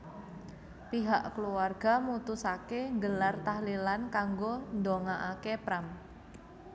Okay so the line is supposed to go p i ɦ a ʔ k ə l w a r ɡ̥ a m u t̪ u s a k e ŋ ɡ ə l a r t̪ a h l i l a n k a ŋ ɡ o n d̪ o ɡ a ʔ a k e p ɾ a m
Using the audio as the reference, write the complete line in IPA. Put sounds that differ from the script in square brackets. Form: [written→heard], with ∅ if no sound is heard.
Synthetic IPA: p i ɦ a ʔ k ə l [w→u] a r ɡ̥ a m u t̪ u s a k e ŋ ɡ ə l a r t̪ a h l i l a n k a ŋ ɡ o n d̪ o [ɡ→ŋ] a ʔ a k e p ɾ a m